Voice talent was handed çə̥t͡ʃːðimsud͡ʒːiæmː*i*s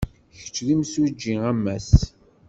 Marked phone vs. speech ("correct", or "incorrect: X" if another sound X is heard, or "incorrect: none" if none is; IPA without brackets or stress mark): incorrect: æ